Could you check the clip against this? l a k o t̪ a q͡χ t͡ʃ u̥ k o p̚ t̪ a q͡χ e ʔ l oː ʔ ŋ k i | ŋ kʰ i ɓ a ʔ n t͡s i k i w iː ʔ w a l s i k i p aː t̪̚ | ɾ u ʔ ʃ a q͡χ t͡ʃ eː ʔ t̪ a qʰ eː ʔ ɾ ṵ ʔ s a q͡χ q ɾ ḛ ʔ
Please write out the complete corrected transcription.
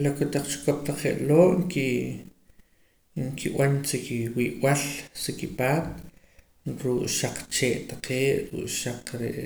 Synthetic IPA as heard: l a k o t̪ a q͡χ t͡ʃ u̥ k o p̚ t̪ a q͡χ e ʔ l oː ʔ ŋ k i | ŋ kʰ i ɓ a n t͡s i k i w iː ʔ w a l s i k i p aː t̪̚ | ɾ u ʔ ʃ a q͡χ t͡ʃ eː ʔ t̪ a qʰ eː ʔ ɾ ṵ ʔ ʃ a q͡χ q ɾ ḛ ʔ